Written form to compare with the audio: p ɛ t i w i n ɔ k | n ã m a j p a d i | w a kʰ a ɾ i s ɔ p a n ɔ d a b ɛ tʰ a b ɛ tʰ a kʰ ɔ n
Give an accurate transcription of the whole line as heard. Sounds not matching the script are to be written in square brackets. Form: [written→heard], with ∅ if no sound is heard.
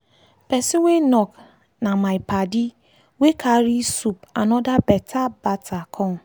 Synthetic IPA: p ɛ [t→s] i w [i→e] n ɔ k | n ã m a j p a d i | w [a→e] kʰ a ɾ i s [ɔ→u] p a n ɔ d a b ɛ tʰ a b [ɛ→a] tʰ a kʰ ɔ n